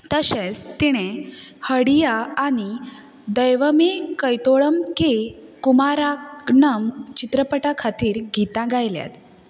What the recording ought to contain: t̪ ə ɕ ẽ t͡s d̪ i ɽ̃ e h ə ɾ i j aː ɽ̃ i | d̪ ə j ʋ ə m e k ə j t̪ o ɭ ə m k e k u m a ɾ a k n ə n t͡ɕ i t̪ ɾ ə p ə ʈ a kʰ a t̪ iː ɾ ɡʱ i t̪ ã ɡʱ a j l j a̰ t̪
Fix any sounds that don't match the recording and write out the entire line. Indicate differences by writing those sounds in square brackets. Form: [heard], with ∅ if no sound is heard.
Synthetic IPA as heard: t̪ ə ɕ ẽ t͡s [t̪] i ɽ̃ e h ə [ɽ] i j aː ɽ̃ i | d̪ ə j ʋ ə m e k ə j t̪ o ɭ ə m k e k u m a ɾ a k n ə [m] t͡ɕ i t̪ ɾ ə p ə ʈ a kʰ a t̪ iː ɾ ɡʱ i t̪ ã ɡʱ a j l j a̰ t̪